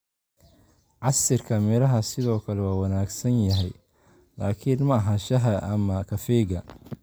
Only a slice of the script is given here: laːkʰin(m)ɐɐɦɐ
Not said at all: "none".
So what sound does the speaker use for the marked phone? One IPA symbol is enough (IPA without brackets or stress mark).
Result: m